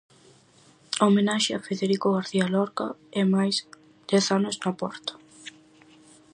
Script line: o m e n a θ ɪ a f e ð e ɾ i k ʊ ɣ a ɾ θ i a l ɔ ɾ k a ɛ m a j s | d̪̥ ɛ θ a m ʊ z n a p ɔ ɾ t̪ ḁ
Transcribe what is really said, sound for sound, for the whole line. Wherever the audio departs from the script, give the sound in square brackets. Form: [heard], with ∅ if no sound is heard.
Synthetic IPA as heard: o m e n a [ʃ] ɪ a f e ð e ɾ i k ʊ ɣ a ɾ θ i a l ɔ ɾ k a ɛ m a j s | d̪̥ ɛ θ a [n] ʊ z n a p ɔ ɾ t̪ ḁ